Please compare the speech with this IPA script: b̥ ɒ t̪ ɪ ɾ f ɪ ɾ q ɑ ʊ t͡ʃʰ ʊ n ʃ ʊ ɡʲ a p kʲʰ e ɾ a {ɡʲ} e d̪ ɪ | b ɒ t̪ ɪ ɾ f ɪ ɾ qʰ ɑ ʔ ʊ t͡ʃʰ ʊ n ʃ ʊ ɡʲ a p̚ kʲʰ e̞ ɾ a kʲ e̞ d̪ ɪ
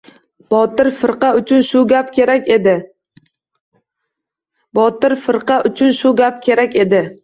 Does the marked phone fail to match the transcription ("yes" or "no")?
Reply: yes